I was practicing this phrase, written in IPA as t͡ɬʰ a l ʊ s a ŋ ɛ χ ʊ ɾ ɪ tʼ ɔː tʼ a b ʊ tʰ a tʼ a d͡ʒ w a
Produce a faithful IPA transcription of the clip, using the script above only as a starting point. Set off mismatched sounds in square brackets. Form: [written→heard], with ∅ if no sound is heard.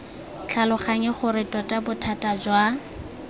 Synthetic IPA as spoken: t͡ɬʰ a l ʊ [s→χ] a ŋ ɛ χ ʊ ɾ ɪ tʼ [ɔː→ɔ] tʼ a b ʊ tʰ a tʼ a d͡ʒ w a